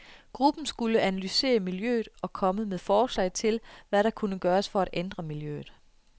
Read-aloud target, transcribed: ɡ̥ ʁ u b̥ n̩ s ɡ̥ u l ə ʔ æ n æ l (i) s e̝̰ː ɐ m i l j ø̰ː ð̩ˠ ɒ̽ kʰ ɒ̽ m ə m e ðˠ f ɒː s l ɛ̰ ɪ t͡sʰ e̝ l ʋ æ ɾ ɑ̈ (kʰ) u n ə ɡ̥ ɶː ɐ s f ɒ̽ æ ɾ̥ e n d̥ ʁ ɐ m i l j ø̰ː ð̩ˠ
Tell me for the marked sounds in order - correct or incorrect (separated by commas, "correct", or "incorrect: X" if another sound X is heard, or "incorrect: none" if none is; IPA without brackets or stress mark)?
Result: incorrect: y, correct